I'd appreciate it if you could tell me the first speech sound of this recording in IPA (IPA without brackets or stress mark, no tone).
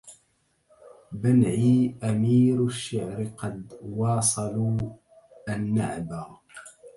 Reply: b